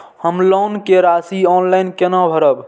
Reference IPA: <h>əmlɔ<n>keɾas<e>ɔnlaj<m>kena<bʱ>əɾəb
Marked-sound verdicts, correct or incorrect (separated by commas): correct, correct, incorrect, incorrect, correct